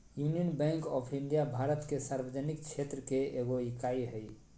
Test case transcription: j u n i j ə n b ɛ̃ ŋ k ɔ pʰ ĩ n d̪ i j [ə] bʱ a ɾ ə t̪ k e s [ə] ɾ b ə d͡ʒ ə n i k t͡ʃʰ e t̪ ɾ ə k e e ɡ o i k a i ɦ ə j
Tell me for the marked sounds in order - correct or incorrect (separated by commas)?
incorrect, incorrect